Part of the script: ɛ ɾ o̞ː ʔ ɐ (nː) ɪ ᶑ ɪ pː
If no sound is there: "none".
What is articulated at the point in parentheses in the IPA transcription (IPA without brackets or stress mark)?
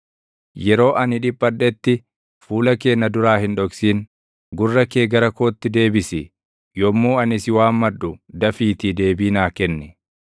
n